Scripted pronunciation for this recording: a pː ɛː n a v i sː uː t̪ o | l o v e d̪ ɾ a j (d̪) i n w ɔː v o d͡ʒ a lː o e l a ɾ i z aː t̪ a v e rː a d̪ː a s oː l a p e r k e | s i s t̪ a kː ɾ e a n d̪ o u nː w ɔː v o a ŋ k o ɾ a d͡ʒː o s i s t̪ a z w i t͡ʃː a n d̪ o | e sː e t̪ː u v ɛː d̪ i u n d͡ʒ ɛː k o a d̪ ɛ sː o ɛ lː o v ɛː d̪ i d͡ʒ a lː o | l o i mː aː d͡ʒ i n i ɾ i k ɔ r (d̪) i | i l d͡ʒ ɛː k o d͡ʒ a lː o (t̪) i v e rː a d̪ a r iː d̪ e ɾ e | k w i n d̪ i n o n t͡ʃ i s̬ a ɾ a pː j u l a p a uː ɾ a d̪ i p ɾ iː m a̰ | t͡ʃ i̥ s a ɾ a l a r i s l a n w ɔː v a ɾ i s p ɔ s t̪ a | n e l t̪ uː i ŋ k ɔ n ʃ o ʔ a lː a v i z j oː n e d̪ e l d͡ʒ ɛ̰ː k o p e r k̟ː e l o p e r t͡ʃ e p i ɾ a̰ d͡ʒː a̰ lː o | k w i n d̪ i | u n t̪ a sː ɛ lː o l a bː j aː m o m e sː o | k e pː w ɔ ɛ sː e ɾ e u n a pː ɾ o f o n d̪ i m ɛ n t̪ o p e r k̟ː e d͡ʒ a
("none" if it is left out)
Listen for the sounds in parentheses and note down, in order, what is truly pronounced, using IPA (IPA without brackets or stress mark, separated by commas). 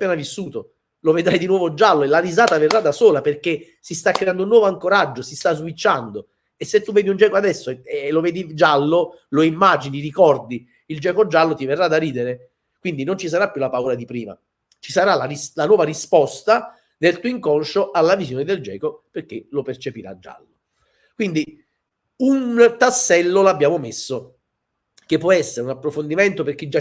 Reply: d̪, d̪, t̪